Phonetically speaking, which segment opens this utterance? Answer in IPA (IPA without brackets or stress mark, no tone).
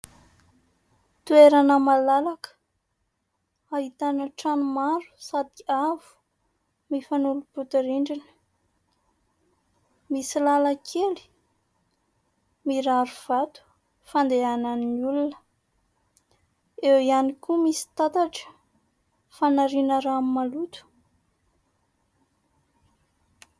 t̪